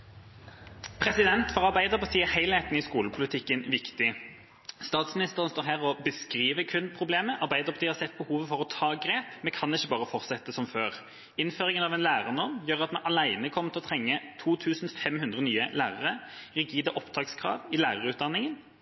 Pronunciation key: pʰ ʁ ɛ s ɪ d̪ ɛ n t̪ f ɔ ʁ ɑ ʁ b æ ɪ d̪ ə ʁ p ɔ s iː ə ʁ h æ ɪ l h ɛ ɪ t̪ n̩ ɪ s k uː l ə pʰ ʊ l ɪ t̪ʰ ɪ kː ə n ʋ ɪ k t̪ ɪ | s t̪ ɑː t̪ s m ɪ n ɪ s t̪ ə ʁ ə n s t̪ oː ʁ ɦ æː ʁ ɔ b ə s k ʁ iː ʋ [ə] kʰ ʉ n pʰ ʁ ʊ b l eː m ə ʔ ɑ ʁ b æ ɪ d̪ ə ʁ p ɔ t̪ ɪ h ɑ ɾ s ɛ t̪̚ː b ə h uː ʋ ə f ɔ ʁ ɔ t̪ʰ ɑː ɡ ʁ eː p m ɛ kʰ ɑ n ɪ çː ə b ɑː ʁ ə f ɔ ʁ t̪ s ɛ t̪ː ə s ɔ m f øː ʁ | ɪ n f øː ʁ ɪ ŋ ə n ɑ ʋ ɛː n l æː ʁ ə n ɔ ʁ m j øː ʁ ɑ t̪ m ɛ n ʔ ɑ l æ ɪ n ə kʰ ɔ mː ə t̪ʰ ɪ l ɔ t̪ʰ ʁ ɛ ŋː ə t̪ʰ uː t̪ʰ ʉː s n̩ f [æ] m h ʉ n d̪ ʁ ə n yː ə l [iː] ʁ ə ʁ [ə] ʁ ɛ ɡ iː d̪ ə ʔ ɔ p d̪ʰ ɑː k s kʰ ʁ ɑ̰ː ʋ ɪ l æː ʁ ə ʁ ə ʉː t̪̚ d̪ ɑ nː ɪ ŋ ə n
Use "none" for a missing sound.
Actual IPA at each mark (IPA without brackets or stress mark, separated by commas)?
ə, ɛ, æː, ə